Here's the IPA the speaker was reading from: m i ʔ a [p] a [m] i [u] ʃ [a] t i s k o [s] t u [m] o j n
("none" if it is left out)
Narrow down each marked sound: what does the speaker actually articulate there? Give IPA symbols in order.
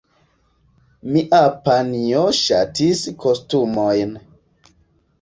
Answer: p, n, o, a, s, m

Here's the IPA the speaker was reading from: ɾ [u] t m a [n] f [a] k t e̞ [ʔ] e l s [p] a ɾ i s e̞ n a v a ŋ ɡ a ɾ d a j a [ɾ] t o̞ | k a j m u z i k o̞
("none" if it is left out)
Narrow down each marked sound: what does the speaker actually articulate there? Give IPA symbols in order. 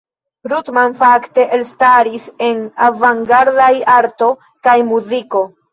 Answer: u, n, a, ʔ, t, ɾ

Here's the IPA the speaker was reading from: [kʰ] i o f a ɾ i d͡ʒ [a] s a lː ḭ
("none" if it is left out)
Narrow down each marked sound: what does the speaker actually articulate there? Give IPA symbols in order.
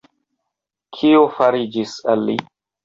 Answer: kʰ, i

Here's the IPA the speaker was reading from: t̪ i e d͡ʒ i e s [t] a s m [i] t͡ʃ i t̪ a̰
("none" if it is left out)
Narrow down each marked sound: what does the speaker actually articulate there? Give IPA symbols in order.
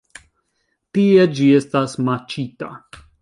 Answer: t, a

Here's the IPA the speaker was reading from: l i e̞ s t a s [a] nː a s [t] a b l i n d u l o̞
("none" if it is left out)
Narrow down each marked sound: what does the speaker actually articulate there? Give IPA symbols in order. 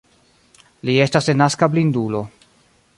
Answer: e, k

